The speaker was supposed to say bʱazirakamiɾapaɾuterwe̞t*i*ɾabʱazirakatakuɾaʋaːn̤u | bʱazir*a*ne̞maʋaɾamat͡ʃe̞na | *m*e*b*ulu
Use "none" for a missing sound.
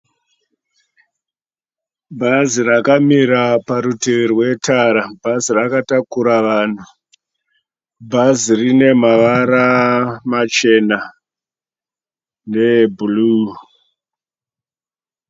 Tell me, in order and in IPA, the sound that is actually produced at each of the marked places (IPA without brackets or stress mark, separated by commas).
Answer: a, i, n, b